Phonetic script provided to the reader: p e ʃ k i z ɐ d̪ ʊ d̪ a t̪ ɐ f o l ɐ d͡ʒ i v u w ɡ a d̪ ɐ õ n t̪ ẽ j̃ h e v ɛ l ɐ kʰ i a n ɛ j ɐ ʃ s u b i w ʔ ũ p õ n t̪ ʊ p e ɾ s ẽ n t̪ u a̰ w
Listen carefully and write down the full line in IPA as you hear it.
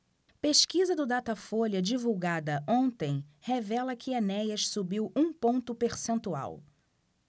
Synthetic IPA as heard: p e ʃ k i z ɐ d̪ ʊ d̪ a t̪ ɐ f o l ɐ d͡ʒ i v u w ɡ a d̪ ɐ õ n t̪ ẽ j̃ h e v ɛ l ɐ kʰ ɪ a n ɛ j ɐ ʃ s u b i w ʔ ũ p õ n t̪ ʊ p e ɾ s ẽ n t̪ u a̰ w